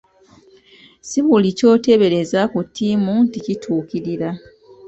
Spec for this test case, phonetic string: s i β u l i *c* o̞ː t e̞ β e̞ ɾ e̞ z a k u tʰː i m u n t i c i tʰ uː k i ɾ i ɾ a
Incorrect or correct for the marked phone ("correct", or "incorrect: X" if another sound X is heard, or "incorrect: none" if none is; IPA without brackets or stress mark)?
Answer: correct